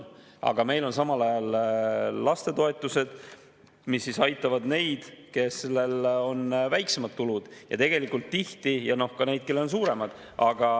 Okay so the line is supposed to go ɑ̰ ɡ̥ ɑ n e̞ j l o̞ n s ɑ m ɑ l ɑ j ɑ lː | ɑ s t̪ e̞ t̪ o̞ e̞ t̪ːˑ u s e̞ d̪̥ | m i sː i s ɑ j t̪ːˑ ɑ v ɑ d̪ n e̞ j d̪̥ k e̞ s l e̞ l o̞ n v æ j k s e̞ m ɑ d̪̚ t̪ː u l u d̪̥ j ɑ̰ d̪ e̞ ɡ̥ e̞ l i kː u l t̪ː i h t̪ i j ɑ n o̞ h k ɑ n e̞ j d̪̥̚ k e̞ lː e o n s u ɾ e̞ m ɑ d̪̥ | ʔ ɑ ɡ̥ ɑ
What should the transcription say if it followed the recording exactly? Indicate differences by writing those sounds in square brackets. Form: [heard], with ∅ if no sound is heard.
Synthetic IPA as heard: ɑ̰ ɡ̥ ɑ [m] e̞ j l o̞ n s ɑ m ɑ l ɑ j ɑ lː | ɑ s t̪ e̞ t̪ o̞ e̞ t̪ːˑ u s e̞ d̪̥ | m i sː i s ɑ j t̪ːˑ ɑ v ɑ d̪ n e̞ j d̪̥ k e̞ s l e̞ l o̞ n v æ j k s e̞ m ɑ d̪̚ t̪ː u l u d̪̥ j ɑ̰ [t̪] e̞ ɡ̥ e̞ l i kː u l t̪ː i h t̪ i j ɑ n o̞ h k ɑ n e̞ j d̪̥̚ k e̞ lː e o n s [uː] ɾ e̞ m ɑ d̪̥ | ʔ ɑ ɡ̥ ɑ